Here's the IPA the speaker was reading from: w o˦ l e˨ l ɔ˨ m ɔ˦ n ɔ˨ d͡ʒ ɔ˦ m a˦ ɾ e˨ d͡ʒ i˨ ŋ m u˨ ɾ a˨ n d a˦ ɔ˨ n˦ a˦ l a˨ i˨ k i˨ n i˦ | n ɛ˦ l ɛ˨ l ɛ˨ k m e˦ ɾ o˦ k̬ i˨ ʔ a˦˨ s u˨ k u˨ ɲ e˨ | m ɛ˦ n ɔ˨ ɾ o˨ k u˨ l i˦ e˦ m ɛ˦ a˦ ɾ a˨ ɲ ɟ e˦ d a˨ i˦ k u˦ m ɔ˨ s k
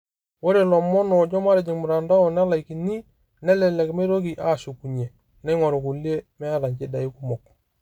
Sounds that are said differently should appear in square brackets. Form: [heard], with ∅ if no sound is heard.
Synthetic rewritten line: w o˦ [ɾ] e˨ l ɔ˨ m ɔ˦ n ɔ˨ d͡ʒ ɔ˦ m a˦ ɾ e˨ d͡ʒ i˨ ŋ m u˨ ɾ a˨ n d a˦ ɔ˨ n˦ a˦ l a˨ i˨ k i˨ n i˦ | n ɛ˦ l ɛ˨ l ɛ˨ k m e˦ ɾ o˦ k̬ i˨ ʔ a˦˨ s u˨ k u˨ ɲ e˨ | [n] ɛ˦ [ŋ] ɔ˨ ɾ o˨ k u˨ l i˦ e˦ m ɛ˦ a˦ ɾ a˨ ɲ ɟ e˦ d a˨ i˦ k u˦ m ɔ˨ [∅] k